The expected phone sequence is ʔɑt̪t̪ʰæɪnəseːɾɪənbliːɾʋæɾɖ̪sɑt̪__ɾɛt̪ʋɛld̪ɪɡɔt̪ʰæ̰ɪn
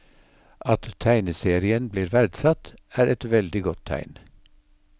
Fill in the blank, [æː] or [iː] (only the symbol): æː